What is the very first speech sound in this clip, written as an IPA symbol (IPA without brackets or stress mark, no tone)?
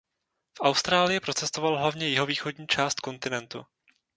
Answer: f